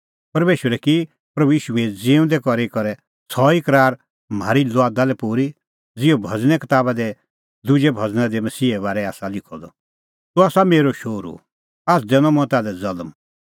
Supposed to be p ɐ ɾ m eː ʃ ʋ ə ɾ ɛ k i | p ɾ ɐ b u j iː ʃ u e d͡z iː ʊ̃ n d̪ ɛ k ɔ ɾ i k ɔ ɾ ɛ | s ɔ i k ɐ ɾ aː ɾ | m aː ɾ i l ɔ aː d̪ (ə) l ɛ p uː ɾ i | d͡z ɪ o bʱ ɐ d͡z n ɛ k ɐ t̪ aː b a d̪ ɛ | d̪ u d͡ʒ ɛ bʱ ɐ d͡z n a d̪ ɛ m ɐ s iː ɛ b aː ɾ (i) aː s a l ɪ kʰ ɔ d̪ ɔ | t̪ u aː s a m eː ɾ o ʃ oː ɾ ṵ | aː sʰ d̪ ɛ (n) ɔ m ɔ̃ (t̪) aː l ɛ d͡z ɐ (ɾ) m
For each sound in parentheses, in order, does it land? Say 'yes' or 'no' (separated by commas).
no, no, yes, yes, no